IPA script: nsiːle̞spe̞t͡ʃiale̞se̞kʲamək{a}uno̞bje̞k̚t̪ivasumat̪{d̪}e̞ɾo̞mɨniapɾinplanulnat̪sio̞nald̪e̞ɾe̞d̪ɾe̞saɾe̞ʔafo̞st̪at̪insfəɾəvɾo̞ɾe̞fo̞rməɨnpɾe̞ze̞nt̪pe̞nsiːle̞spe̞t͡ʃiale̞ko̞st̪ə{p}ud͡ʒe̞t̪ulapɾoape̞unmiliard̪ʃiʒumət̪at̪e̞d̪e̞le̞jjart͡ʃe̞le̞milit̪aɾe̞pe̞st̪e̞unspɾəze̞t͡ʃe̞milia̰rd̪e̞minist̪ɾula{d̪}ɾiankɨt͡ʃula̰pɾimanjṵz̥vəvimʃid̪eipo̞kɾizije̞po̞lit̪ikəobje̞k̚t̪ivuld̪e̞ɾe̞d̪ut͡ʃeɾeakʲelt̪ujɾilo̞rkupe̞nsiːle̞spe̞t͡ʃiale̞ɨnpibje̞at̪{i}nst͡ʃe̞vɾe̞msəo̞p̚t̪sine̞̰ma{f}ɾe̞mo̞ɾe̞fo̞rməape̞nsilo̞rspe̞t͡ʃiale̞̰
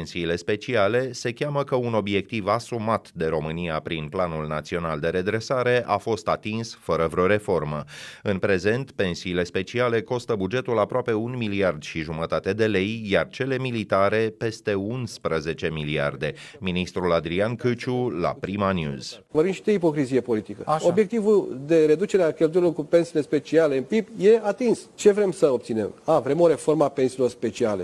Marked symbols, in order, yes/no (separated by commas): no, yes, no, yes, yes, no